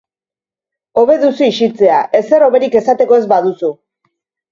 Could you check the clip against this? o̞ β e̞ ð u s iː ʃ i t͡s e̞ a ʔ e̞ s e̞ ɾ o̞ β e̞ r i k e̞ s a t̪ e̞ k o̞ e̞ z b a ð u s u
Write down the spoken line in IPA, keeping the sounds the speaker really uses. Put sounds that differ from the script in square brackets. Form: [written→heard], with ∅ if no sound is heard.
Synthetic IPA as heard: o̞ β e̞ ð u s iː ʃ i t͡s e̞ a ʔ e̞ s e̞ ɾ o̞ β e̞ [r→ɾ] i k e̞ s a t̪ e̞ k o̞ e̞ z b a ð u s u

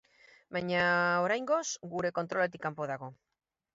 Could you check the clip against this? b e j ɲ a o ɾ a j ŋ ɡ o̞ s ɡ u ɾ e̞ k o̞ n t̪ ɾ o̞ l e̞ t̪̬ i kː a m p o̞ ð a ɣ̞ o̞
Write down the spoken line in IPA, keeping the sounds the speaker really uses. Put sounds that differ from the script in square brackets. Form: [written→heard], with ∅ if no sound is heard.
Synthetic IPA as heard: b [e→a] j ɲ a o ɾ a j ŋ ɡ o̞ s ɡ u ɾ e̞ k o̞ n t̪ ɾ o̞ l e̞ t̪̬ i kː a m p o̞ ð a ɣ̞ o̞

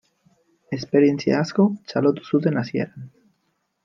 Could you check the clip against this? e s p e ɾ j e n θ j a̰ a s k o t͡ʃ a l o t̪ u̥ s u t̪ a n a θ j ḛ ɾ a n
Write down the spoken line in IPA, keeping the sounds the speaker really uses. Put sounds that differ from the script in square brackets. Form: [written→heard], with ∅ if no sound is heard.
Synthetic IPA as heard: e s p e ɾ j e n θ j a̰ a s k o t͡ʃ a l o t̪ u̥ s u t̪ [a→e] n a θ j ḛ ɾ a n

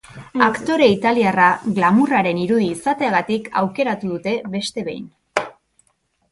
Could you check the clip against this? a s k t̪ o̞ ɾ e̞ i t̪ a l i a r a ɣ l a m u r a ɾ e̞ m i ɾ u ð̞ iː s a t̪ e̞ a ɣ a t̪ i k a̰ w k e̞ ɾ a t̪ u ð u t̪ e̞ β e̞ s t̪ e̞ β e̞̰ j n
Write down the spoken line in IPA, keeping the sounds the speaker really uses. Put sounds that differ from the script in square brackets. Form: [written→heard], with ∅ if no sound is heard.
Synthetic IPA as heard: a [s→∅] k t̪ o̞ ɾ e̞ i t̪ a l i a r a ɣ l a m u r a ɾ e̞ [m→n] i ɾ u ð̞ iː s a t̪ e̞ a ɣ a t̪ i k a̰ w k e̞ ɾ a t̪ u ð u t̪ e̞ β e̞ s t̪ e̞ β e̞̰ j n

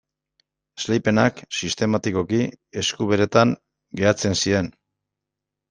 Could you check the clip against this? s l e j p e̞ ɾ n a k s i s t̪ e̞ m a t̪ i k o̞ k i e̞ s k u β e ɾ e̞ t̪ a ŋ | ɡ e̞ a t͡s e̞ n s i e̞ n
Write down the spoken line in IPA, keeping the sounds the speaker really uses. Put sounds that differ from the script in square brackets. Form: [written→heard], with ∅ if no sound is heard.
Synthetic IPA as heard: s l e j p e̞ [ɾ→∅] n a k s i s t̪ e̞ m a t̪ i k o̞ k i e̞ s k u β e ɾ e̞ t̪ a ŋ | ɡ e̞ a t͡s e̞ n s i e̞ n

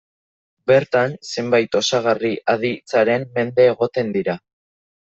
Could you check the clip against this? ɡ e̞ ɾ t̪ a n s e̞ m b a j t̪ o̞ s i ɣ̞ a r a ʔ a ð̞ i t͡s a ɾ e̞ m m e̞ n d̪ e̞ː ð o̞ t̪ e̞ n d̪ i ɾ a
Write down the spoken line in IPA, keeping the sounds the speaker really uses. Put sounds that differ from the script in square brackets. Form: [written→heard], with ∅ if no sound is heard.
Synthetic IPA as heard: [ɡ→b] e̞ ɾ t̪ a n s e̞ m b a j t̪ o̞ s [i→a] ɣ̞ a r [a→i] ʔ a ð̞ i t͡s a ɾ e̞ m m e̞ n d̪ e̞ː [ð→ɣ] o̞ t̪ e̞ n d̪ i ɾ a

